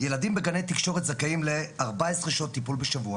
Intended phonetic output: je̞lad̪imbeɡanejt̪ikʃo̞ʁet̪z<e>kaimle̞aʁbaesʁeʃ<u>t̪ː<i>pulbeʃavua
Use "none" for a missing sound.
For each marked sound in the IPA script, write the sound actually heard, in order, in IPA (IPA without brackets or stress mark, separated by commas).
a, o, i